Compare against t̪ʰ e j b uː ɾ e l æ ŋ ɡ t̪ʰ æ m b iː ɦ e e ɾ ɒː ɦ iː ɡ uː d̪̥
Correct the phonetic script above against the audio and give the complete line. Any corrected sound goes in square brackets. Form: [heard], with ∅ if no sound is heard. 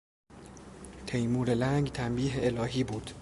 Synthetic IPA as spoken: t̪ʰ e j [m] uː ɾ e l æ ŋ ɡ t̪ʰ æ m b iː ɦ e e [l] ɒː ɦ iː [b] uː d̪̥

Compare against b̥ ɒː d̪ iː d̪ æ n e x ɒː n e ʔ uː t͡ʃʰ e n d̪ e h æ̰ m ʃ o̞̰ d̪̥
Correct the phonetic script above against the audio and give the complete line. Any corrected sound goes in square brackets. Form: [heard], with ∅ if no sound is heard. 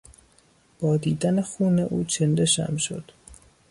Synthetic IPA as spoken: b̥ ɒː d̪ iː d̪ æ n e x [uː] n e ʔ uː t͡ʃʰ e n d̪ e [ʃ] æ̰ m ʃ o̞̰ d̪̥

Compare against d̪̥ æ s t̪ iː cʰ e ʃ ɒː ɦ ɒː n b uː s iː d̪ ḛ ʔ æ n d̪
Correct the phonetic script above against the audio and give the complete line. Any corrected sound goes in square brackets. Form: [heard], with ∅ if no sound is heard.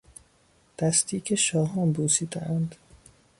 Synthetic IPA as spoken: d̪̥ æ s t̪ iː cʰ e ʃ ɒː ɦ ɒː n b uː s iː d̪ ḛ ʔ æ n d̪

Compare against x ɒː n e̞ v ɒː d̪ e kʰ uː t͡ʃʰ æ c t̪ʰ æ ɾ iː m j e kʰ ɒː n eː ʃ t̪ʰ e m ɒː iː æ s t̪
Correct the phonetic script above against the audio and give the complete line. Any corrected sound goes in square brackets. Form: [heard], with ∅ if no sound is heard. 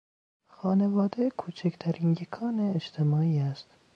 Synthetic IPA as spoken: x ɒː n e̞ v ɒː d̪ e kʰ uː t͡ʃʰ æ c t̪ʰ æ ɾ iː [n] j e kʰ ɒː n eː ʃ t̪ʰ e m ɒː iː æ s t̪

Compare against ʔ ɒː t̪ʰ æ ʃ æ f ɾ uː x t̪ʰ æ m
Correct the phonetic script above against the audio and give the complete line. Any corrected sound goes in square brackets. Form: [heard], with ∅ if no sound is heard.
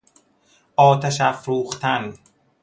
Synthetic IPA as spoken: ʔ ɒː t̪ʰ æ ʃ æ f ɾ uː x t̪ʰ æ [n]

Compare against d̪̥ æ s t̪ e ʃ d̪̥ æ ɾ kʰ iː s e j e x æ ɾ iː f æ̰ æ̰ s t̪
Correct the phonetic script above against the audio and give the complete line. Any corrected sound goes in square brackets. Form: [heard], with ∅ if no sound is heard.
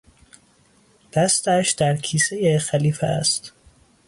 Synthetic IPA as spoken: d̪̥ æ s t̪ [æ] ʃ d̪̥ æ ɾ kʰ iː s e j e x æ [l] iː f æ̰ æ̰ s t̪

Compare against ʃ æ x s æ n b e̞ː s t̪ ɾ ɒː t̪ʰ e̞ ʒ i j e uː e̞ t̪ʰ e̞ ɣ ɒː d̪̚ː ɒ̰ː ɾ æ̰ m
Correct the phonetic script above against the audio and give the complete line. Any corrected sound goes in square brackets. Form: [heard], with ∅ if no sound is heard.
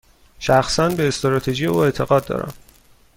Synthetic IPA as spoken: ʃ æ x s æ n b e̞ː s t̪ ɾ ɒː t̪ʰ e̞ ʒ i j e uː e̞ t̪ʰ e̞ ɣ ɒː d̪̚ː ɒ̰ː ɾ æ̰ m

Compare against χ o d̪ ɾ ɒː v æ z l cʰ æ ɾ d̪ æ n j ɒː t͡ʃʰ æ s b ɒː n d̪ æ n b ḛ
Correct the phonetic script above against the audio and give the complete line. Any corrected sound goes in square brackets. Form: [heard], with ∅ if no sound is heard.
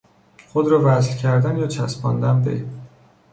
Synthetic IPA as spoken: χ o d̪ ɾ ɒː v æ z l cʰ æ ɾ d̪ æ n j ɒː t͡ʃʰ æ s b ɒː n d̪ æ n b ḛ

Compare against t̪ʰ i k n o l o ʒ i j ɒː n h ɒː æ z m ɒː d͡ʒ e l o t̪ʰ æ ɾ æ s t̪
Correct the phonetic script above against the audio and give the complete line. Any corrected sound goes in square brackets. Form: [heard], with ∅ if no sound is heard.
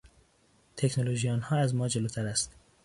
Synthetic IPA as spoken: t̪ʰ [e] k n o l o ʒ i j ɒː n h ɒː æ z m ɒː d͡ʒ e l o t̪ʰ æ ɾ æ s t̪

